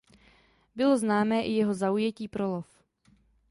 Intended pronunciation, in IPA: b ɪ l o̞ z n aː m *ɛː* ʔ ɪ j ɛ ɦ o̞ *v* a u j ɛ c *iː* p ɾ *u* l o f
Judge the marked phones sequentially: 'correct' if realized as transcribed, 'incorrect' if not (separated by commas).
correct, incorrect, correct, incorrect